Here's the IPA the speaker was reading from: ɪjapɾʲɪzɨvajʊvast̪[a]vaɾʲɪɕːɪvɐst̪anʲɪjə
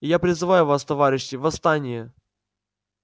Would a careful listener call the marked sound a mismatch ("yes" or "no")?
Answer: yes